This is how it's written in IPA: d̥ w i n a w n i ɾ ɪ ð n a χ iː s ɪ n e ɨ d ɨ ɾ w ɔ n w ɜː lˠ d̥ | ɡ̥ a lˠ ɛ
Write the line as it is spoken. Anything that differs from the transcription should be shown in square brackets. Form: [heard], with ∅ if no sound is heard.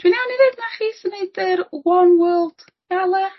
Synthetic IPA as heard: d̥ w i n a w n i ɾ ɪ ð n a χ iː s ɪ n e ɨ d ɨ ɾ w ɔ n w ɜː lˠ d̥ | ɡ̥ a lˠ ɛ

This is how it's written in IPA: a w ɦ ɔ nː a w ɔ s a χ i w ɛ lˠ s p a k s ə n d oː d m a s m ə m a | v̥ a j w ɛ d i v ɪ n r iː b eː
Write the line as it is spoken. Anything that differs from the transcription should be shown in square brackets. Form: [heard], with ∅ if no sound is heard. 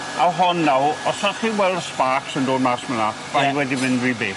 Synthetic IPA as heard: a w ɦ ɔ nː a w ɔ s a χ i w ɛ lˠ s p a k s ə n d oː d m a s m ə [n] a | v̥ a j w ɛ d i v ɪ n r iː b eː

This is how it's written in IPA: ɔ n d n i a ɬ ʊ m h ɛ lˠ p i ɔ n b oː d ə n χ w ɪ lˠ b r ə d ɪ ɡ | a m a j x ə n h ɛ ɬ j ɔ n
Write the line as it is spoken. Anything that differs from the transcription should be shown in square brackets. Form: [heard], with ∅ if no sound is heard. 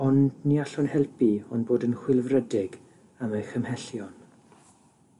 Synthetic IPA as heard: ɔ n d n i a ɬ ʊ [n] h ɛ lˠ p i ɔ n b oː d ə n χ w ɪ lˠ [v] r ə d ɪ ɡ | a m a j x ə [m] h ɛ ɬ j ɔ n

